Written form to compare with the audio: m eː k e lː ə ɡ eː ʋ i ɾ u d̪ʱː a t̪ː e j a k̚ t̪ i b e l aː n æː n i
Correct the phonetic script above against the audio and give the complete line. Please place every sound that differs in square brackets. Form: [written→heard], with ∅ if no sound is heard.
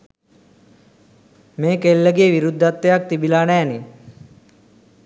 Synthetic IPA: m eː k e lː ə ɡ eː ʋ i ɾ u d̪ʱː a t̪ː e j a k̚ t̪ i b [e→i] l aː n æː n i